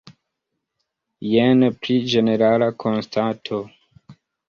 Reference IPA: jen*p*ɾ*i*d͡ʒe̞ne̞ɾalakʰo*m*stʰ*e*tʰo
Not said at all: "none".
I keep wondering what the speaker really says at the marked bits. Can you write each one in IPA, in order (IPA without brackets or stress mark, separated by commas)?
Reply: p, i, n, a